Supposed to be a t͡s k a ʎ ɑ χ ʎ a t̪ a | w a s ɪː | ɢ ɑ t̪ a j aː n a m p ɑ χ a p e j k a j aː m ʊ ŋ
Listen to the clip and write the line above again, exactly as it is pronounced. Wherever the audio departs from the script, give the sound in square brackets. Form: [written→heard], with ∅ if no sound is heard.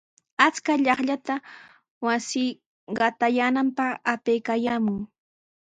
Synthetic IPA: a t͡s k a ʎ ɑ χ ʎ a t̪ a | w a s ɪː | ɢ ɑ t̪ a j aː n a m p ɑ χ a p e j k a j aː m ʊ ŋ